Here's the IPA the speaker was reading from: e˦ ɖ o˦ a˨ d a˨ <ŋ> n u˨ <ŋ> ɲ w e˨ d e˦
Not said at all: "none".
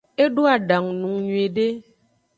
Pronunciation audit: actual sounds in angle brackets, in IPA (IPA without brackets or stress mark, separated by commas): ŋ, ŋ